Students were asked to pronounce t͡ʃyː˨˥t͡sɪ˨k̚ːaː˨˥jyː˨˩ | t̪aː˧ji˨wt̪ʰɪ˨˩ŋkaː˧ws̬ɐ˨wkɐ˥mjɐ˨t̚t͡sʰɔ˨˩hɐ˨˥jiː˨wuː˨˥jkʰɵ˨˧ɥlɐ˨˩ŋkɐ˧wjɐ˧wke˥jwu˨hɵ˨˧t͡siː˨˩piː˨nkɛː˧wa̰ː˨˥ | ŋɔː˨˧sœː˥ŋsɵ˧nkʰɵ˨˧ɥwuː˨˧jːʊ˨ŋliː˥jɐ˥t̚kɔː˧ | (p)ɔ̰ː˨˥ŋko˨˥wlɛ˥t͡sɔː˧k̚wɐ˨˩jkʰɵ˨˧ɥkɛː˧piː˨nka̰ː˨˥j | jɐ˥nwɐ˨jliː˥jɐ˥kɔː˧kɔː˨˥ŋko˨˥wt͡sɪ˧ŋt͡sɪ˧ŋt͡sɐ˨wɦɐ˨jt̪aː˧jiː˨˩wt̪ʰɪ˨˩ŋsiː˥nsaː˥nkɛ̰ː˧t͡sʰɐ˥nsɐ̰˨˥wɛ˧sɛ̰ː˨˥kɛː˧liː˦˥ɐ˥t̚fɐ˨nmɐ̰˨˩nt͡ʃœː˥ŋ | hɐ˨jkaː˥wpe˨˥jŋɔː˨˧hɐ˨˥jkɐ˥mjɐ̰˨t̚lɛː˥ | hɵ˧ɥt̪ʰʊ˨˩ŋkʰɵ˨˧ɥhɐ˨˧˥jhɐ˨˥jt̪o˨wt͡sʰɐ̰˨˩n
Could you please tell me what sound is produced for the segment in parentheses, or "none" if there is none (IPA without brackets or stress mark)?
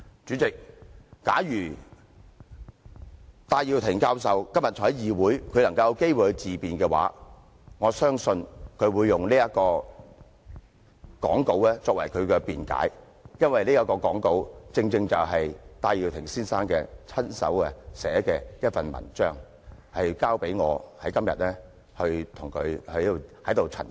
k